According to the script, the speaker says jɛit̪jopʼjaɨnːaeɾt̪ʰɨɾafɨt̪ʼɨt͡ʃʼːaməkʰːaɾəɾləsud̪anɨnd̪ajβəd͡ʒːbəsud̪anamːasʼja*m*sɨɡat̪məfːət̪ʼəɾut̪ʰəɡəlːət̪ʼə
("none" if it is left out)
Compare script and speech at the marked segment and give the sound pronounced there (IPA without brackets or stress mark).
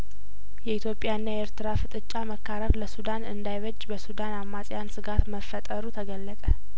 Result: n